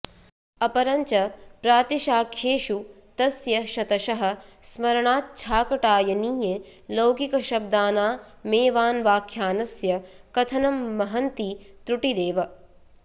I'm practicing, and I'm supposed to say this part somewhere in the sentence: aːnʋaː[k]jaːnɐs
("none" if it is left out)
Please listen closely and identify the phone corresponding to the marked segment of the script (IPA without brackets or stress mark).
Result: kʰ